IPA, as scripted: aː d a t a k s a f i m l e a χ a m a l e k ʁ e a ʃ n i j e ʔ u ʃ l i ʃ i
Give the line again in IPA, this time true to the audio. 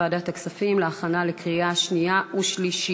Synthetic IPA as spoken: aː d a t a k s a f i m l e a χ a n a l e k ʁ i a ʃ n i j a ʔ u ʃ l i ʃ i